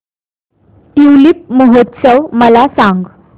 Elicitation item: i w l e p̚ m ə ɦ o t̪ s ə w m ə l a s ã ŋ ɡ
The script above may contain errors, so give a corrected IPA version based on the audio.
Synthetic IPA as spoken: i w l i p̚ m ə ɦ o t̪ s ə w m ə l a s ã ŋ ɡ